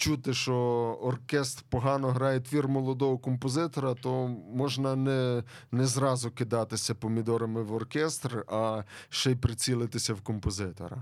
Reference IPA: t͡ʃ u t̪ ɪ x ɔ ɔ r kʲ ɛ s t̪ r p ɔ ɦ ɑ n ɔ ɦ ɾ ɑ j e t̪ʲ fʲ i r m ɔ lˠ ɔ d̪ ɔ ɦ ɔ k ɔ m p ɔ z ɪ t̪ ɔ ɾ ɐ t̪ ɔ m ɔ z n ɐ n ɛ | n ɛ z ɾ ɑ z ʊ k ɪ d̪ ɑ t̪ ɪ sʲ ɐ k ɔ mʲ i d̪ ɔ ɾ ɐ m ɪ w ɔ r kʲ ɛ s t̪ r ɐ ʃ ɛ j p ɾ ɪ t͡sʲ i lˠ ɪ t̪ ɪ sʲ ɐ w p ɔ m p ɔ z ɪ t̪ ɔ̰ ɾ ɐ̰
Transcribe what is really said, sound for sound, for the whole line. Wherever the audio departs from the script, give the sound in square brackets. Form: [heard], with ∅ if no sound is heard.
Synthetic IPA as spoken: t͡ʃ u t̪ ɪ [ʃ] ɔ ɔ r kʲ ɛ s t̪ r p ɔ ɦ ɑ n ɔ ɦ ɾ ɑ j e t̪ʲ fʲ i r m ɔ lˠ ɔ d̪ ɔ ɦ ɔ k ɔ m p ɔ z ɪ t̪ ɔ ɾ ɐ t̪ ɔ m ɔ [ʒ] n ɐ n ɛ | n ɛ z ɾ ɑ z ʊ k ɪ d̪ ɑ t̪ ɪ sʲ ɐ [p] ɔ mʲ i d̪ ɔ ɾ ɐ m ɪ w ɔ r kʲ ɛ s t̪ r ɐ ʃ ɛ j p ɾ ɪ t͡sʲ i lˠ ɪ t̪ ɪ sʲ ɐ w [k] ɔ m p ɔ z ɪ t̪ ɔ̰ ɾ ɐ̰